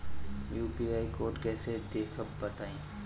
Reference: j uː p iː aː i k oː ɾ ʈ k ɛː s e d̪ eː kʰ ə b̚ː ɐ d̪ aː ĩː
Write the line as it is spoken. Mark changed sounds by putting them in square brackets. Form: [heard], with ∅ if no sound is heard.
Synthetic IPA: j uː p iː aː i k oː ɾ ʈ k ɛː s e d̪ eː kʰ ə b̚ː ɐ [t̪] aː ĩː